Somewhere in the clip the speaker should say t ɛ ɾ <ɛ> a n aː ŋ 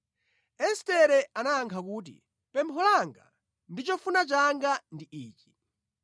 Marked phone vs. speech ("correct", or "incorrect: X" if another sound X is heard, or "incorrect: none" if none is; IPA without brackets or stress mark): correct